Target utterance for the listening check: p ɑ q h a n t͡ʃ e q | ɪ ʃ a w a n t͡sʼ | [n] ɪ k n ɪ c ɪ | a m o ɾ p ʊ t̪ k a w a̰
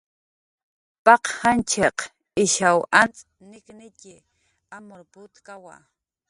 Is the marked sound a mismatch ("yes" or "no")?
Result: no